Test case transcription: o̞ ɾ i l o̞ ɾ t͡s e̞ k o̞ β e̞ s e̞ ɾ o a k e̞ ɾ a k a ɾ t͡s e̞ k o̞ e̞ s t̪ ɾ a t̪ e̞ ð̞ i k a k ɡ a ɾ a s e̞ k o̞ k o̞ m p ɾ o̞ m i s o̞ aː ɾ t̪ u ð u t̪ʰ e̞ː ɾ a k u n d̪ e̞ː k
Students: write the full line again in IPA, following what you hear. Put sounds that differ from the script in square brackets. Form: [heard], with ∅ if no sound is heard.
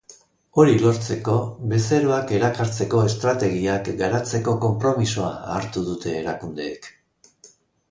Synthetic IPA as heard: o̞ ɾ i l o̞ ɾ t͡s e̞ k o̞ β e̞ s e̞ ɾ o a k e̞ ɾ a k a ɾ t͡s e̞ k o̞ e̞ s t̪ ɾ a t̪ e̞ [ɣ̞] i [∅] a k ɡ a ɾ a [t͡s] e̞ k o̞ k o̞ m p ɾ o̞ m i s o̞ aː ɾ t̪ u ð u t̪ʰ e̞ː ɾ a k u n d̪ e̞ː k